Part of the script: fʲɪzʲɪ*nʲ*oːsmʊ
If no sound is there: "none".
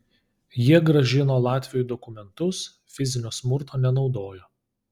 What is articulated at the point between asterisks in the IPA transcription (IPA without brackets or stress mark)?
nʲ